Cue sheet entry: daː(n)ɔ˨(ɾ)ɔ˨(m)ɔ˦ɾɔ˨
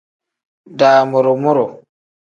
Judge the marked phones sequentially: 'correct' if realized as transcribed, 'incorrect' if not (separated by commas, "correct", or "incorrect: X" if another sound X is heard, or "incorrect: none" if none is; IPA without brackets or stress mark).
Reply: incorrect: m, correct, correct